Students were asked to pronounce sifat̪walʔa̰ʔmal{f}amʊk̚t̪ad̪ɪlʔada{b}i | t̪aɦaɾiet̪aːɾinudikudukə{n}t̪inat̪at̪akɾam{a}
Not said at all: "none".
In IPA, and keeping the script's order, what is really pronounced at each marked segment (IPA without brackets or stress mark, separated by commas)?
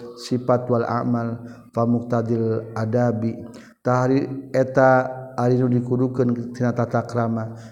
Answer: f, b, n, a